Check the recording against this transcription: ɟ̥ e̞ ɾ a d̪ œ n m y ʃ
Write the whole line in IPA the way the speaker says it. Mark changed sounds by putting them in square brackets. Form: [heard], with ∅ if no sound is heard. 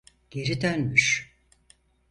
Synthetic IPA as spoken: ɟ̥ e̞ ɾ [i] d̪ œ n m y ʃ